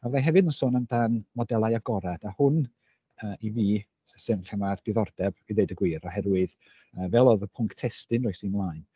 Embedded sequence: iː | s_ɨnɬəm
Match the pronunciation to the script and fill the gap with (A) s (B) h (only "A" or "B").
A